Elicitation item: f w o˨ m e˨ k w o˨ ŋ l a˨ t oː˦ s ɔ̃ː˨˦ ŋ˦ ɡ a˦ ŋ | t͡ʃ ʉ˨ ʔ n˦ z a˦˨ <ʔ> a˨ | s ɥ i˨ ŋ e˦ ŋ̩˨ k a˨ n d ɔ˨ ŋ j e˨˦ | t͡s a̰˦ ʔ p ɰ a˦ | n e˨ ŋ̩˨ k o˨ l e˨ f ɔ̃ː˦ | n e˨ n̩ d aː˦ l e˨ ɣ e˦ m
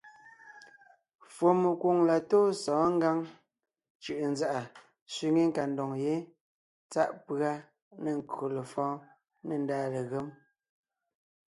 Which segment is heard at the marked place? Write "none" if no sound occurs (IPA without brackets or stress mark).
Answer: ʔ